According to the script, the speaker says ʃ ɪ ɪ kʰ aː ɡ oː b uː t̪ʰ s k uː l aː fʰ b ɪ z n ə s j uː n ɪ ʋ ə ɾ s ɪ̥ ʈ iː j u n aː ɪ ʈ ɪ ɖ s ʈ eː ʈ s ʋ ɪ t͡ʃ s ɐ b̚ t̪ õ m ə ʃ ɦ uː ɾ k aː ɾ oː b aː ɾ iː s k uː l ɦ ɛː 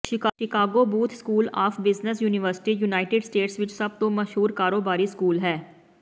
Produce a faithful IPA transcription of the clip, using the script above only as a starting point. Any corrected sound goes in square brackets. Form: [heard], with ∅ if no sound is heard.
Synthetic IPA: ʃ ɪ ɪ [k] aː ɡ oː b uː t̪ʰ s k uː l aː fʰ b ɪ z n ə s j uː n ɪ ʋ ə ɾ s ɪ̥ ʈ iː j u n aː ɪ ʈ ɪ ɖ s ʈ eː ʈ s ʋ ɪ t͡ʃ s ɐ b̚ t̪ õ m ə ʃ ɦ uː ɾ k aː ɾ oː b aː ɾ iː s k uː l ɦ ɛː